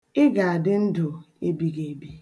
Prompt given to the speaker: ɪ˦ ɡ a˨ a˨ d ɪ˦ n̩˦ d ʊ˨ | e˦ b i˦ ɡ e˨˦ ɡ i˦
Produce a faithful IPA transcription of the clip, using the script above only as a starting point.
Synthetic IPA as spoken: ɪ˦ ɡ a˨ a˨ d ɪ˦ n̩˦ d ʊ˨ | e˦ b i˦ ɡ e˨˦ b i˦